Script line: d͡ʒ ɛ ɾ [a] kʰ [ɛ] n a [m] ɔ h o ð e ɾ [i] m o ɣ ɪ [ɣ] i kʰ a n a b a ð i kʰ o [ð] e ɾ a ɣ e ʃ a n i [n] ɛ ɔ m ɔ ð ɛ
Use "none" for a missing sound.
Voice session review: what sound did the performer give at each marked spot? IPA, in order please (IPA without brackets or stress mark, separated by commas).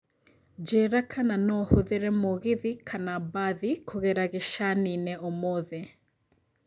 a, a, n, ɛ, ð, ɣ, n